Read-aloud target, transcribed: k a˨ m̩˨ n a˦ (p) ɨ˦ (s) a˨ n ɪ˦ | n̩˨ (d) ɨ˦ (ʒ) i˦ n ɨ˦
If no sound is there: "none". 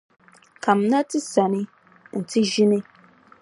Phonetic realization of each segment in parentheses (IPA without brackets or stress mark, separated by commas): t, s, t, ʒ